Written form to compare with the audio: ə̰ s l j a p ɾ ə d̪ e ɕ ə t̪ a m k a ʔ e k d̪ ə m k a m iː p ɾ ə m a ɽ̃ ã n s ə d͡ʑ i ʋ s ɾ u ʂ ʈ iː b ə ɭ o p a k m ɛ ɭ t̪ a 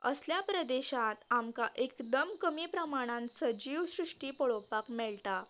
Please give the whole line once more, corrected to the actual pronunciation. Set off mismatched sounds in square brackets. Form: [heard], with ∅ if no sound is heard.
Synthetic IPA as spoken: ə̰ s l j a p ɾ ə d̪ e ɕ [a] t̪ a m k a ʔ e k d̪ ə m k [ə] m iː p ɾ ə m a ɽ̃ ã n s ə d͡ʑ i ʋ s ɾ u ʂ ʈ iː [p] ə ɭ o p a k m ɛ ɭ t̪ a